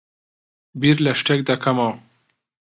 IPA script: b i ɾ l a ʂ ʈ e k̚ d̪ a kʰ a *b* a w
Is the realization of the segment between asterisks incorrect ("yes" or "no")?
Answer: yes